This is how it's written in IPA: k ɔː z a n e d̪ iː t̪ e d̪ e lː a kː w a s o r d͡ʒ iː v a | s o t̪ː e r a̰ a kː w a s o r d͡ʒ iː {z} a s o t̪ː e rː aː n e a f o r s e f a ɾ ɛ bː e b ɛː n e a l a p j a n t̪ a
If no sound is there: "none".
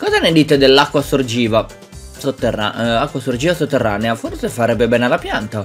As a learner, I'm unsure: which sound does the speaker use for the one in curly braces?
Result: v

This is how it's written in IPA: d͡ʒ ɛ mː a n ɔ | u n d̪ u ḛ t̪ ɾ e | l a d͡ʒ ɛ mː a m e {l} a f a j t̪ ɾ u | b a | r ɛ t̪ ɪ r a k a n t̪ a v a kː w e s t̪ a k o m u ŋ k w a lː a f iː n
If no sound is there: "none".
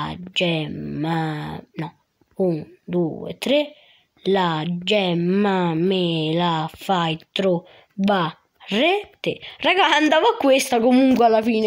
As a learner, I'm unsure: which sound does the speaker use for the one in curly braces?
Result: l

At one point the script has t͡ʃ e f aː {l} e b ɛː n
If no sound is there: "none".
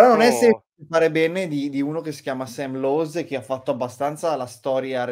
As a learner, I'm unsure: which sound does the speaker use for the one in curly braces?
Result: ɾ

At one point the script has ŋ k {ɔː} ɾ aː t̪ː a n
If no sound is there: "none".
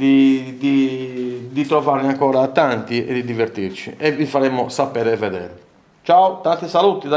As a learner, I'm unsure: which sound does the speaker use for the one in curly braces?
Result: ɔː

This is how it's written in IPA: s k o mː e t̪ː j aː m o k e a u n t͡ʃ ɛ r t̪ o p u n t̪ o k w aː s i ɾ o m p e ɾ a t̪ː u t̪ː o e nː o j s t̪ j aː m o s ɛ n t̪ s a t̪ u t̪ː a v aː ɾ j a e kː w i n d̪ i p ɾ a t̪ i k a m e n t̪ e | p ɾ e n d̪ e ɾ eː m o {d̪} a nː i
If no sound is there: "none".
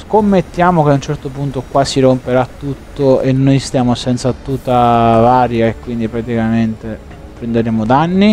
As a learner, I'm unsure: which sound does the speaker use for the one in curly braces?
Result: d̪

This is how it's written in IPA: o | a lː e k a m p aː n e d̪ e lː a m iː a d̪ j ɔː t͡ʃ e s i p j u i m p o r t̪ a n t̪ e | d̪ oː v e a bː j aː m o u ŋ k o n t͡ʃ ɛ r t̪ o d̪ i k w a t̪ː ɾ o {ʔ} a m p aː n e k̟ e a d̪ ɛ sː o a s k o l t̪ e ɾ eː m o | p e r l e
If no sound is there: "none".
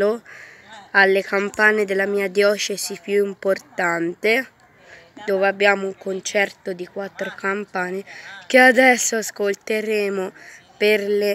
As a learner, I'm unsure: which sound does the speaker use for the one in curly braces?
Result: k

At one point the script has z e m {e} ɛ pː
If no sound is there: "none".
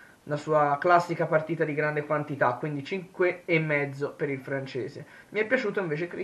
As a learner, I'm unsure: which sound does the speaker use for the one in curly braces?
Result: i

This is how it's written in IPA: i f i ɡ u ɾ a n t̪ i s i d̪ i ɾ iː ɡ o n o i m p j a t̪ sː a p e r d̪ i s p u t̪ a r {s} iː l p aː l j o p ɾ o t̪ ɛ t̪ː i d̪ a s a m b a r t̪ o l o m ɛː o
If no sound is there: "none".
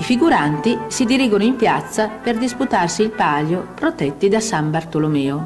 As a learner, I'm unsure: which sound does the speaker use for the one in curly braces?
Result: s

